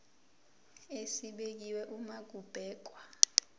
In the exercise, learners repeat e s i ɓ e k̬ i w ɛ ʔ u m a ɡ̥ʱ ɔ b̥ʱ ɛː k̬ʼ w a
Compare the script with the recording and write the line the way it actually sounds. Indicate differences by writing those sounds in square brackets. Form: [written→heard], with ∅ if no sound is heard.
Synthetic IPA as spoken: e s i ɓ e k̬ i w ɛ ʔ u m a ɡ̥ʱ [ɔ→u] b̥ʱ ɛː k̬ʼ w a